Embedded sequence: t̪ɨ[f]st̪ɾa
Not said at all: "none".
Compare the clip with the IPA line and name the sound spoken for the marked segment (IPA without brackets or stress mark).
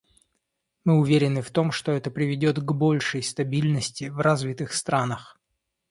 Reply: x